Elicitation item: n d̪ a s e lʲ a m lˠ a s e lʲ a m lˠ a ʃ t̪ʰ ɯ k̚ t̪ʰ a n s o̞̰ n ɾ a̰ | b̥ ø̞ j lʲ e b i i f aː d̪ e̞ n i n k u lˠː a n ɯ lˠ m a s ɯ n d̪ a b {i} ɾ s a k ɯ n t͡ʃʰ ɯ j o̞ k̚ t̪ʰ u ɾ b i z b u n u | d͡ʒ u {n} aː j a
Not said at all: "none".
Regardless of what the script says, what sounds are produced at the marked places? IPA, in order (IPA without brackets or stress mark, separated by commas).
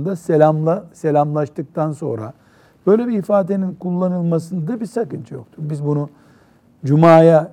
i, m